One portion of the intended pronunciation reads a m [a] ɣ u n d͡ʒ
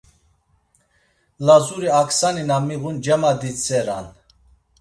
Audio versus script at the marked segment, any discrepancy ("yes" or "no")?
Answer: yes